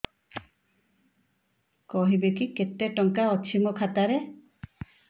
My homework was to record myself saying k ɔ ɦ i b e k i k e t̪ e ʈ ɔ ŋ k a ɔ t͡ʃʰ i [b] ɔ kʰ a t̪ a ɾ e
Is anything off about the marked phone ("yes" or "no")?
yes